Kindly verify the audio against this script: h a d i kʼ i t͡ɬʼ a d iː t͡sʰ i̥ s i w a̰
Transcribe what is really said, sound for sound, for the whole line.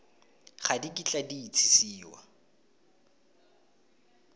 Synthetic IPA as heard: χ a d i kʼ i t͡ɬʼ a d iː t͡sʰ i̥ s iː w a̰